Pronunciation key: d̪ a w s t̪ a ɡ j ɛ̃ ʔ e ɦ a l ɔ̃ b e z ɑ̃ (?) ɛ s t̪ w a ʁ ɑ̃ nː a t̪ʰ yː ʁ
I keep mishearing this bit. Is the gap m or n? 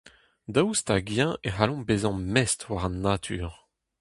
m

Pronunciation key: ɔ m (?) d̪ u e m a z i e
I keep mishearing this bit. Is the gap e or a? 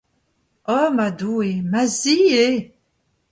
a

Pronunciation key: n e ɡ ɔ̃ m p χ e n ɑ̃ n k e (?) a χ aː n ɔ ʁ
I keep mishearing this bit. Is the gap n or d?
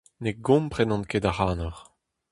d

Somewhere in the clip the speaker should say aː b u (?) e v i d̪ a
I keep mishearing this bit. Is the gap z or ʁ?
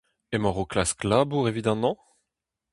ʁ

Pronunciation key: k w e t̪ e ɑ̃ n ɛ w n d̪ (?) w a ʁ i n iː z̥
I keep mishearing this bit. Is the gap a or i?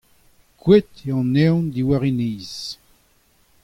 i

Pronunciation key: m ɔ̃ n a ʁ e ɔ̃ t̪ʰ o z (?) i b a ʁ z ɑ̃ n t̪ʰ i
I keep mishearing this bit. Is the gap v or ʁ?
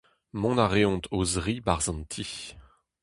ʁ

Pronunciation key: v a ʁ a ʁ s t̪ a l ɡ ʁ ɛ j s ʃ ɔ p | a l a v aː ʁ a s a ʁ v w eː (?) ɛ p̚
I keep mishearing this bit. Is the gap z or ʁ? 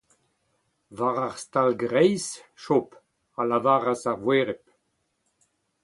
ʁ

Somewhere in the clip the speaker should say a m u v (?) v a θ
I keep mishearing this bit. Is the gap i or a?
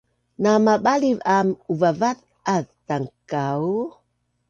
a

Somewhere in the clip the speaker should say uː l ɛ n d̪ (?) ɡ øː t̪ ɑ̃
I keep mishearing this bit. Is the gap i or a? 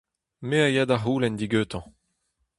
i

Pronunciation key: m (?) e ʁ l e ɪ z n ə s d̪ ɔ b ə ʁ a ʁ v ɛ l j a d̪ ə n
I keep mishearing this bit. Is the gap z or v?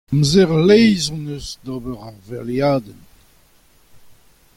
z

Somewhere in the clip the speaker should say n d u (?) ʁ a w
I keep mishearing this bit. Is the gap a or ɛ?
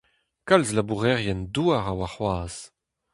a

